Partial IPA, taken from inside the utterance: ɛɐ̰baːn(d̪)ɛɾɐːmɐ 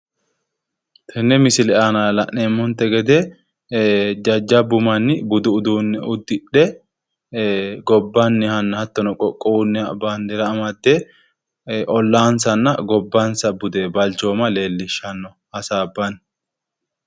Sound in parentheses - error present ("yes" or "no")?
no